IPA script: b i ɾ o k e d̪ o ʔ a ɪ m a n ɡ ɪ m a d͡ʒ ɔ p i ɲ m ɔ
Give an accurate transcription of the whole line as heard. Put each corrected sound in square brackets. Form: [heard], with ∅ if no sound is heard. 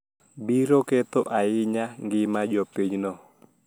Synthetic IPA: b i ɾ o k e [t̪] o ʔ a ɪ [ɲ] a [ŋ] ɡ ɪ m a d͡ʒ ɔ p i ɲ [n] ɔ